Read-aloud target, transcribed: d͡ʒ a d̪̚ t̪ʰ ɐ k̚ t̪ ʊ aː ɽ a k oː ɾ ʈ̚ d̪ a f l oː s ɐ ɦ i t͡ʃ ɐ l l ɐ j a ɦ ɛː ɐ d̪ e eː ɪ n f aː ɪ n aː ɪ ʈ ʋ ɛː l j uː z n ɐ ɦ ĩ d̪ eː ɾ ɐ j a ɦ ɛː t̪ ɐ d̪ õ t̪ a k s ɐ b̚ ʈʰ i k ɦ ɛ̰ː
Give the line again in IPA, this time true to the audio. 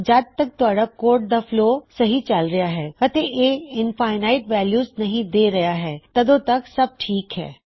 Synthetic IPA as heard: d͡ʒ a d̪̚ t̪ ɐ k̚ t̪ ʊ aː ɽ a k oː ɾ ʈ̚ d̪ a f l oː s ɐ ɦ i t͡ʃ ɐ l ɾ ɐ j a ɦ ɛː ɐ t̪ e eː ɪ n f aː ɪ n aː ɪ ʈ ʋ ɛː l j uː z n ɐ ɦ ĩ d̪ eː ɾ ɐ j a ɦ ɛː t̪ ɐ d̪ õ t̪ ɐ k s ɐ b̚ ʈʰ iː k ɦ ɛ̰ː

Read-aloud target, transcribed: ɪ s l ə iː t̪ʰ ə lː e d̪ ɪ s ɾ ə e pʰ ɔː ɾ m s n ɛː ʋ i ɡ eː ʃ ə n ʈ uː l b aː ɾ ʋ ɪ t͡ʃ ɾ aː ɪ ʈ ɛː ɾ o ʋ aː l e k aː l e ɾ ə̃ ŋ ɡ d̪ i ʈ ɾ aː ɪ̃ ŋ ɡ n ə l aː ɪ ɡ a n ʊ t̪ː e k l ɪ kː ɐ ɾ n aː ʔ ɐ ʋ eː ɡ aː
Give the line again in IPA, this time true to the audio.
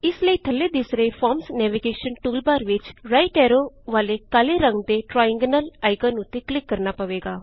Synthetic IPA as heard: ɪ s l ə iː t̪ʰ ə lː e d̪ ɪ s ɾ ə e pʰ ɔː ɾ m s n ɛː ʋ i ɡ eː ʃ ə n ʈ uː l b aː ɾ ʋ ɪ t͡ʃ ɾ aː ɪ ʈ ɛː ɾ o ʋ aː l e k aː l e ɾ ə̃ ŋ ɡ d̪ e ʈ ɾ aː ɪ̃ ŋ ɡ n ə l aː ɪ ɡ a n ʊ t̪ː e k l ɪ kː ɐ ɾ n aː p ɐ ʋ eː ɡ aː

